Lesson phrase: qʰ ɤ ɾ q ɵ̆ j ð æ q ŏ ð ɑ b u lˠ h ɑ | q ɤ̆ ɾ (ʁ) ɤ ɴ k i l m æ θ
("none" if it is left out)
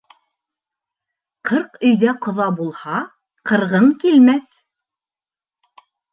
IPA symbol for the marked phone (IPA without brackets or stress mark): ʁ